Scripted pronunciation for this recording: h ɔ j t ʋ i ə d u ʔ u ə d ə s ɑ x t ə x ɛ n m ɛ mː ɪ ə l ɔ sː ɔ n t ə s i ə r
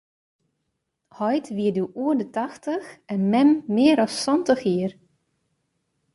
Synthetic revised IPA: h ɔ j t ʋ i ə d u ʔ u ə d ə t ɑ x t ə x ɛ n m ɛ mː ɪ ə ɾ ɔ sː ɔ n t ə x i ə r